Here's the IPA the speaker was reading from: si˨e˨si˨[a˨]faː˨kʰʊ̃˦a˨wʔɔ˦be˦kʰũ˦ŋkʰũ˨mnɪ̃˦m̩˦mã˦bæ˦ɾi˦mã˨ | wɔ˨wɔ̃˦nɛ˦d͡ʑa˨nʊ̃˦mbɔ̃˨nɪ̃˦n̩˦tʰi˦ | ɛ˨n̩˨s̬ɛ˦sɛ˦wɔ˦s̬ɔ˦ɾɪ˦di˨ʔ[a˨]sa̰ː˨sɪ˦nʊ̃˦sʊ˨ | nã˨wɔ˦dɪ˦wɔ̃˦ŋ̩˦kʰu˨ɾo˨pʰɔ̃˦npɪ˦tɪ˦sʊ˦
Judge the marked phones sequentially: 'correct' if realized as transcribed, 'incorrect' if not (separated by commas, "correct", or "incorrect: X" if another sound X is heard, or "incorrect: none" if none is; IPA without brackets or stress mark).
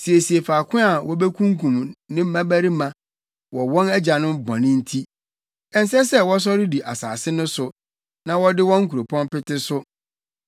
incorrect: e˨, correct